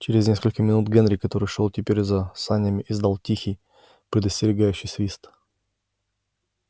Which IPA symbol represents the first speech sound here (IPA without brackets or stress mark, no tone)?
t͡ɕ